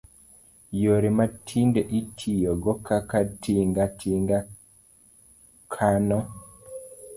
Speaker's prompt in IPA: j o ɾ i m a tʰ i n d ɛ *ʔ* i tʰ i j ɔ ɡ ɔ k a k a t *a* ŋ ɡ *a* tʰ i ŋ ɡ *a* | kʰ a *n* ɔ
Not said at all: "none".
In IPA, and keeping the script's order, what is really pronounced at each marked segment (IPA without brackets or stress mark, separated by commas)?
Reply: ʔ, i, a, a, n